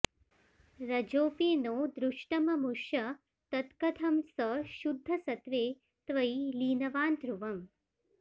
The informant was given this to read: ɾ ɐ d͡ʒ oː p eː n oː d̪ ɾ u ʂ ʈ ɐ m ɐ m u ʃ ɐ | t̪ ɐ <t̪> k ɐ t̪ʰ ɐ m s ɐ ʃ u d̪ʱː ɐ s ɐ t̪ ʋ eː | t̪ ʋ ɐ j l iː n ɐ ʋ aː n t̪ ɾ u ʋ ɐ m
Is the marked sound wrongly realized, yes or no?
no